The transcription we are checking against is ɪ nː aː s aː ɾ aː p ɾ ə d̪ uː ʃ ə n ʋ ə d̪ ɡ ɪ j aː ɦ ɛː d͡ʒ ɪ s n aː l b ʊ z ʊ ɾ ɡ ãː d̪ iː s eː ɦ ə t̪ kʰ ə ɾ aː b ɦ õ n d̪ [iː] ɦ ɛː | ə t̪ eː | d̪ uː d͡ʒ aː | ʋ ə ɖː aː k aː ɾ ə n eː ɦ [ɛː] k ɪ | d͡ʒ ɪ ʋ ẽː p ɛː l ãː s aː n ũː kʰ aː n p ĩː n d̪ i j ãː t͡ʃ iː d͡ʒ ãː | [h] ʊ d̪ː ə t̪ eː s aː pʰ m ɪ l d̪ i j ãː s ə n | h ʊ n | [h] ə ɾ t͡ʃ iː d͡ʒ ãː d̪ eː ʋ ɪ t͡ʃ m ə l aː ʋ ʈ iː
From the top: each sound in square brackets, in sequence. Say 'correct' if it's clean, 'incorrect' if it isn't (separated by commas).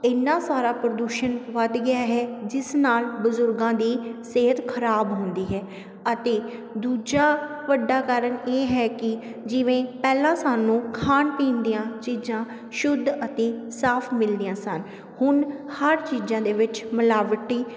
correct, correct, incorrect, correct